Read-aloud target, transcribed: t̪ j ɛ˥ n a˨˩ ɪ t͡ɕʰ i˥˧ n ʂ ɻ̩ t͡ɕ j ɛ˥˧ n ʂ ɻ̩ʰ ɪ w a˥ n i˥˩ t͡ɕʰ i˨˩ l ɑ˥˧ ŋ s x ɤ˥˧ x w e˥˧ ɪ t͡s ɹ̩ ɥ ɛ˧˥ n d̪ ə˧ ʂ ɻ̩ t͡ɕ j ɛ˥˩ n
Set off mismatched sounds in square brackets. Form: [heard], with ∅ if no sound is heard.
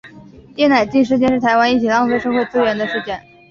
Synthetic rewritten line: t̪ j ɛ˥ n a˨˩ ɪ [t͡ɕ] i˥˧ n ʂ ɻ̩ t͡ɕ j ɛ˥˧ n ʂ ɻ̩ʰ ɪ w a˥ n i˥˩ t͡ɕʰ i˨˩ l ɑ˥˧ ŋ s [ʂ] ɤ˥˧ x w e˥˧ ɪ t͡s ɹ̩ ɥ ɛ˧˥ n d̪ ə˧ ʂ ɻ̩ t͡ɕ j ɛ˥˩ n